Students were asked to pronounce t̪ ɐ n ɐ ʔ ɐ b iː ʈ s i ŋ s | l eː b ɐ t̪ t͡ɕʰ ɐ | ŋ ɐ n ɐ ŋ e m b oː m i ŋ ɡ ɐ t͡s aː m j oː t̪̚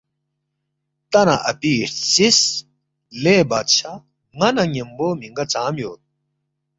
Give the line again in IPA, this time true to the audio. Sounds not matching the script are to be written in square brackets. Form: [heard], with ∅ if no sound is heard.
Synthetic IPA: t̪ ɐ n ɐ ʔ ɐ [p] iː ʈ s i [∅] s | l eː b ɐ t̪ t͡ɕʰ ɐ | ŋ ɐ n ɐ ŋ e m b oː m i ŋ ɡ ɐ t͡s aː m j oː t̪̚